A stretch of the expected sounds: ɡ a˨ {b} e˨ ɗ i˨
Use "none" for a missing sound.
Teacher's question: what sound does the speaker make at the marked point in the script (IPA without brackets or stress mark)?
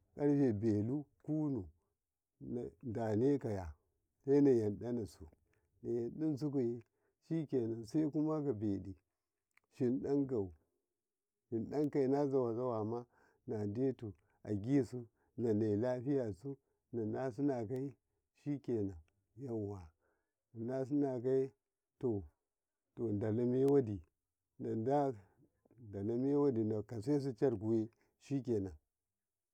b